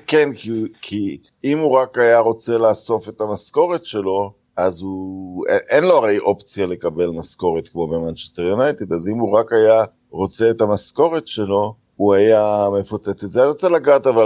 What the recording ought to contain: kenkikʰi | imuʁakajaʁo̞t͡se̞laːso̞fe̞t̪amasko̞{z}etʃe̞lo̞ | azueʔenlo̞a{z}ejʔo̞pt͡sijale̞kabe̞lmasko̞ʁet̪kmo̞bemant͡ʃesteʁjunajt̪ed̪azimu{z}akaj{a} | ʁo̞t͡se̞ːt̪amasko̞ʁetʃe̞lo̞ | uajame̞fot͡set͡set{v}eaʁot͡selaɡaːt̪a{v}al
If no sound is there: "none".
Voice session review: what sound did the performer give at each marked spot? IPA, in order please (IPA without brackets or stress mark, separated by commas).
ʁ, ʁ, ʁ, a, z, v